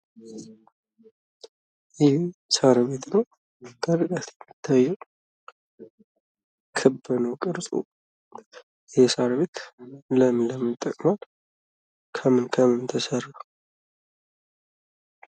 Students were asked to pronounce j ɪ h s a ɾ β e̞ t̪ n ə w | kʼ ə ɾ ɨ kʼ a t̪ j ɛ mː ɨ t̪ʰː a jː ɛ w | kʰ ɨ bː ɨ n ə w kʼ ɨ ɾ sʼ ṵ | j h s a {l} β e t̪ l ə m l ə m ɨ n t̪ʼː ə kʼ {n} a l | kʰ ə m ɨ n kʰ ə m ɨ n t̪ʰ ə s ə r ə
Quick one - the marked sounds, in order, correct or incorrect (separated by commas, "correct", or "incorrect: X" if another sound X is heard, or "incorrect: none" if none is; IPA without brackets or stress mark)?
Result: incorrect: ɾ, incorrect: m